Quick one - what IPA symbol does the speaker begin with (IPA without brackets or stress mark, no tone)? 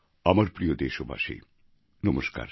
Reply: a